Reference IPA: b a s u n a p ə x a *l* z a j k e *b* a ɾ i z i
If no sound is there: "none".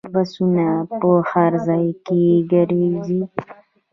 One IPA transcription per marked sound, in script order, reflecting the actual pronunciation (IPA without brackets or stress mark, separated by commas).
ɾ, ɡ